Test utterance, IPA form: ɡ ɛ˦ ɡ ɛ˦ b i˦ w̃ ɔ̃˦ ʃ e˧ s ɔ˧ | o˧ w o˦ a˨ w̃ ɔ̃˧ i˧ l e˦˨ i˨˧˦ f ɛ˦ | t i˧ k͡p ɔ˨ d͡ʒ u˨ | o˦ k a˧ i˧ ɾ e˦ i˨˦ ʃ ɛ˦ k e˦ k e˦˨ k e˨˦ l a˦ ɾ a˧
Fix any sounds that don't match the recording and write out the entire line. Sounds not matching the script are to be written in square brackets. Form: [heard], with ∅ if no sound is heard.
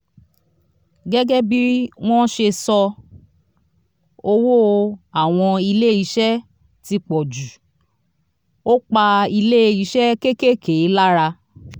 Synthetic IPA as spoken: ɡ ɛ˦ ɡ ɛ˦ b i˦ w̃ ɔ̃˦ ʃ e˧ s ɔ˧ | o˧ w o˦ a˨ w̃ ɔ̃˧ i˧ l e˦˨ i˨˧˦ [ʃ] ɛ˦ | t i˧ k͡p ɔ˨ d͡ʒ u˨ | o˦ [k͡p] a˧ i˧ [l] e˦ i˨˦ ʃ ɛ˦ k e˦ k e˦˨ k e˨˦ l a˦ ɾ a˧